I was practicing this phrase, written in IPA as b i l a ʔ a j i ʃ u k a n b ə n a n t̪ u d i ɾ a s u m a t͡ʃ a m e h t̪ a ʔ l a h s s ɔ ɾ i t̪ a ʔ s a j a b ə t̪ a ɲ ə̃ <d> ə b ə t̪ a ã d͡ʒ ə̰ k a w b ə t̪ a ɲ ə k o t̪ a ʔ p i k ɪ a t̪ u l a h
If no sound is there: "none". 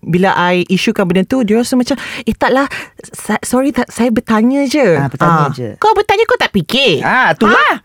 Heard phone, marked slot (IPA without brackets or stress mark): d͡ʒ